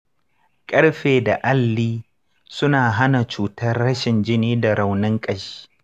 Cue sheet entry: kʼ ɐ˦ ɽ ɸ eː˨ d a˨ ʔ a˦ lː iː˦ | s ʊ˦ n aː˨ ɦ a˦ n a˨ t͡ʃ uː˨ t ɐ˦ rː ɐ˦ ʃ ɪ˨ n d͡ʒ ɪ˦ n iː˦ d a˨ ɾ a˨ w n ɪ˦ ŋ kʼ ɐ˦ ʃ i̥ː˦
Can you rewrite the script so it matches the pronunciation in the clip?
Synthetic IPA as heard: kʼ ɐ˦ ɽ ɸ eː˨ d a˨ ʔ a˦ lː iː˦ | s ʊ˦ n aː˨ ɦ a˦ n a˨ t͡ʃ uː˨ t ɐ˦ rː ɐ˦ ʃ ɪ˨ n d͡ʒ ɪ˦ n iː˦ d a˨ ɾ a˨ w n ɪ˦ ŋ kʼ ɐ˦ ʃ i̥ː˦